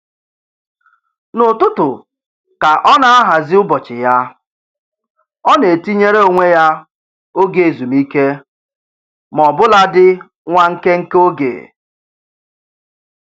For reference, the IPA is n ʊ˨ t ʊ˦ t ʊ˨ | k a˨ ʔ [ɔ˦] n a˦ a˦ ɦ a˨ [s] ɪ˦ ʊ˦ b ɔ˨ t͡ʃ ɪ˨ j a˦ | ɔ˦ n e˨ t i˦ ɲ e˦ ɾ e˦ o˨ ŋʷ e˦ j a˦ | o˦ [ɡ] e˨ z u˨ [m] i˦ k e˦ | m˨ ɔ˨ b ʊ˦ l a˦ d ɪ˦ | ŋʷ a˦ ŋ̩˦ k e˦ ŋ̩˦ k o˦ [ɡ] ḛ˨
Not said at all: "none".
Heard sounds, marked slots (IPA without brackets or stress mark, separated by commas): ɔ˦, z, ɡ, m, ɡ